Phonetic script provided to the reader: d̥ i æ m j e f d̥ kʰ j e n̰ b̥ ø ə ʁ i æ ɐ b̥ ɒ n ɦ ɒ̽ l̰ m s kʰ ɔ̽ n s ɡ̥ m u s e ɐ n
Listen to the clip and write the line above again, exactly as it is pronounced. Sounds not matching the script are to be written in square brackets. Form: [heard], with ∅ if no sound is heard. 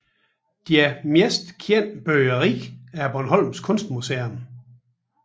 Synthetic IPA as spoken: d̥ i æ m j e [s] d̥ kʰ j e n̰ b̥ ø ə ʁ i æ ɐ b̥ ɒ n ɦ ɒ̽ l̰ m s kʰ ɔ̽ n s [d̥] m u s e ɐ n